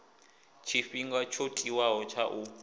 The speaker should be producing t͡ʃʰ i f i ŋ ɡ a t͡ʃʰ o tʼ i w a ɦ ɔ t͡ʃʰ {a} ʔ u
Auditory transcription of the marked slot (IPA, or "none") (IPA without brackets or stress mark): a